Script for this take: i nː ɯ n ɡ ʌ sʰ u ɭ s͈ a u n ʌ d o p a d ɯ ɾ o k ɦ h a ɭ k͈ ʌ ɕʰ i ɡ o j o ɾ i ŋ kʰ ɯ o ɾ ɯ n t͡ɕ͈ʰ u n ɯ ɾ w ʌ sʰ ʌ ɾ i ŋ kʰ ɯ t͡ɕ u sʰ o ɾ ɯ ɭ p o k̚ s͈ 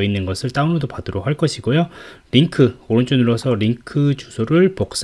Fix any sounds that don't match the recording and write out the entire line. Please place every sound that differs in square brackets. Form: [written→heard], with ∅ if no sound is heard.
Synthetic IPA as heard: i nː ɯ n ɡ ʌ sʰ [u→ɯ] ɭ [s͈→t͈] a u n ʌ d o p a d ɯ ɾ o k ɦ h a ɭ k͈ ʌ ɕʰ i ɡ o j o ɾ i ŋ kʰ ɯ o ɾ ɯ n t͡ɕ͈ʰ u n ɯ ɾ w ʌ sʰ ʌ ɾ i ŋ kʰ ɯ t͡ɕ u sʰ o ɾ ɯ ɭ p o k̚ s͈